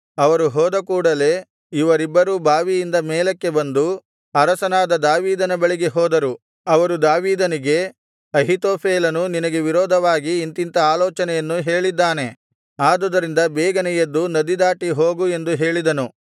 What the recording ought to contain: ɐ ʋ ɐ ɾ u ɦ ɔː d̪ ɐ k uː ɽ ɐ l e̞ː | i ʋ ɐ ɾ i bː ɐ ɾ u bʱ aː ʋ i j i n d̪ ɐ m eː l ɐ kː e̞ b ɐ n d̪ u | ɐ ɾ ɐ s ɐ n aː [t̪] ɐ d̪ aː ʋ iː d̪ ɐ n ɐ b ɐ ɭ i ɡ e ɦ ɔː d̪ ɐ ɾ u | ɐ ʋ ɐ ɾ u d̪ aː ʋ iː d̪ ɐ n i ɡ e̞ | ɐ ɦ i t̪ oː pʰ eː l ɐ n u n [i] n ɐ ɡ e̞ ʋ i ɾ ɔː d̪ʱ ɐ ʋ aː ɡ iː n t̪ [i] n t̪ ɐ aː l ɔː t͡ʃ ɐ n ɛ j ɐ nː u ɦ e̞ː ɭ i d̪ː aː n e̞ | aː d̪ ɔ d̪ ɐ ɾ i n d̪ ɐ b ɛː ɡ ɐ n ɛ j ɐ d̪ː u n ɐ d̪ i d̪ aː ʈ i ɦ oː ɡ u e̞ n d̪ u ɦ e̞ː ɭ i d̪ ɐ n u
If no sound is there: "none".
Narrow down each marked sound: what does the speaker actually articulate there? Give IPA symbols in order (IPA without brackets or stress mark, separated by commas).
d̪, i, i